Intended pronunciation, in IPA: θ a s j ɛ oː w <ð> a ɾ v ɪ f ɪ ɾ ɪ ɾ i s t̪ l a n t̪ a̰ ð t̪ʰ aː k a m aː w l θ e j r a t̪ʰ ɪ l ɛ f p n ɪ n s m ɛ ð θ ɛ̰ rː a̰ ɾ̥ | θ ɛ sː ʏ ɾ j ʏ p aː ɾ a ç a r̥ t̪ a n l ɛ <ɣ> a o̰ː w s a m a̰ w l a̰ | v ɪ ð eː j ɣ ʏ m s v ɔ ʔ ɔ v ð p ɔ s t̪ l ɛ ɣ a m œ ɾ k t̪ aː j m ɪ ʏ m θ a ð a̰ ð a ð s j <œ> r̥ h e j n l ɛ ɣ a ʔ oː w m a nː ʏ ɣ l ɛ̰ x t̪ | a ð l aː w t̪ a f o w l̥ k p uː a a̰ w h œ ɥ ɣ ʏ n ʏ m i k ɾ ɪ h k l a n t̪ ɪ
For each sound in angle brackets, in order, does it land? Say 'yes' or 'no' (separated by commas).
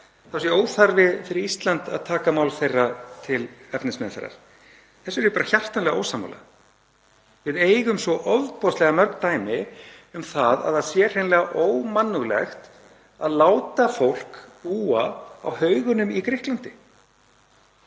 no, yes, no